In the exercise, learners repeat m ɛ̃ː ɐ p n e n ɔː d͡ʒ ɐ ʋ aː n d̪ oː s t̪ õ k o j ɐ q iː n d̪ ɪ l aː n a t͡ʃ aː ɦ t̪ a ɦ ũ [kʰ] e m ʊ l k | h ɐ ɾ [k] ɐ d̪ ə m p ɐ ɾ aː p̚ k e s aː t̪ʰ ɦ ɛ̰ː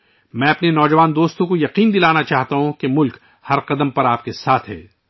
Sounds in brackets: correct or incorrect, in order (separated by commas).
incorrect, incorrect